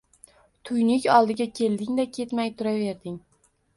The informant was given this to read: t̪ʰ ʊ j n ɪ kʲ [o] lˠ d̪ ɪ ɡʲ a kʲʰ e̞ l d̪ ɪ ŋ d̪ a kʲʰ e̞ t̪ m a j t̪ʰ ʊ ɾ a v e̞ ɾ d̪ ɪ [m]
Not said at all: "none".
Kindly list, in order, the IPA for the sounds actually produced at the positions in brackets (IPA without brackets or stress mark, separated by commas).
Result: ɒ, ŋ